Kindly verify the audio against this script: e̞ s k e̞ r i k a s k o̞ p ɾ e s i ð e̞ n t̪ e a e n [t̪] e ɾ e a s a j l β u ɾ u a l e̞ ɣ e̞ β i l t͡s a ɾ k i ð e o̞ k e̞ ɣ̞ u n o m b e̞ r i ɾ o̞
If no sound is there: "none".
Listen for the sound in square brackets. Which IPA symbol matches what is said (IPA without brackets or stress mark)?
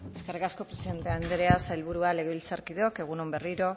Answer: d̪